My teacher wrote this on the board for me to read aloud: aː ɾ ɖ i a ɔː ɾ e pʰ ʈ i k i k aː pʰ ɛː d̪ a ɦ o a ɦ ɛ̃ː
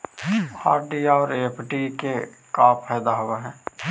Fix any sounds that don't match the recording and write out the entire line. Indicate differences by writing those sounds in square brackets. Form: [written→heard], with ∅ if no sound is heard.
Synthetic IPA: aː ɾ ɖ i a ɔː ɾ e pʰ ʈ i k [i→e] k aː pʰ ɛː d̪ a ɦ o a ɦ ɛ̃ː